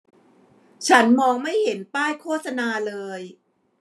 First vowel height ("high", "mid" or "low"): low